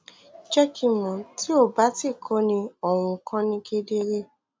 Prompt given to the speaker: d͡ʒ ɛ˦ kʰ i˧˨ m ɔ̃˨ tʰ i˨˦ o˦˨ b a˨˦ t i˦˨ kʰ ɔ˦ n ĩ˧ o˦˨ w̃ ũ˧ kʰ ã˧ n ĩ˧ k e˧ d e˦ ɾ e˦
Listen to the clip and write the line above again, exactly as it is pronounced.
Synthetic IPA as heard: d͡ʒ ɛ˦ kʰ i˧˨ m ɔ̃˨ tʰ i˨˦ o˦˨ b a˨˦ t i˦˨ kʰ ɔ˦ n ĩ˧ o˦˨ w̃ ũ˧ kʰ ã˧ n ĩ˧ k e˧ d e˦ ɾ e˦